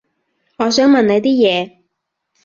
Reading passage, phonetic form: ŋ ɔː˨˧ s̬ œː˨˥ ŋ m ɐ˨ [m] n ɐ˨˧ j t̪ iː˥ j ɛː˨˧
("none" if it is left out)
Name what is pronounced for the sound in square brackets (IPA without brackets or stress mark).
n